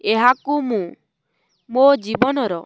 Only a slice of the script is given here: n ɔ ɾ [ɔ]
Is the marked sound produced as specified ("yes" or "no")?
yes